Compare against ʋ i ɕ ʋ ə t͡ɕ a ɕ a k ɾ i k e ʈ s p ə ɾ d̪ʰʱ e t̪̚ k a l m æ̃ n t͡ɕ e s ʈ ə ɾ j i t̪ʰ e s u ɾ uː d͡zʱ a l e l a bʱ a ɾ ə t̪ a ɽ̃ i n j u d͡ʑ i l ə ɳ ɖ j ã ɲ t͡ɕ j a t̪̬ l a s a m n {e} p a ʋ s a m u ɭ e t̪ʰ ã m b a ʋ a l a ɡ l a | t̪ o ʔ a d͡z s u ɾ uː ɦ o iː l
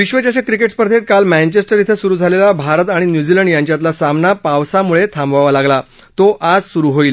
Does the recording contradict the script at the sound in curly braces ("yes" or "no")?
yes